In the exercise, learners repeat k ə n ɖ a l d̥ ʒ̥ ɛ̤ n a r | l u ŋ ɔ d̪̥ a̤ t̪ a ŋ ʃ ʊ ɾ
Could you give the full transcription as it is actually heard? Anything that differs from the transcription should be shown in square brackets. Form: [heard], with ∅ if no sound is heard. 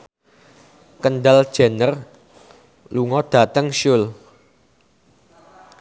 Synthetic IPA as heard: k ə n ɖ a l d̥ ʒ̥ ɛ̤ n [ə] r | l u ŋ ɔ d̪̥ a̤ t̪ [ə] ŋ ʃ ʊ [l]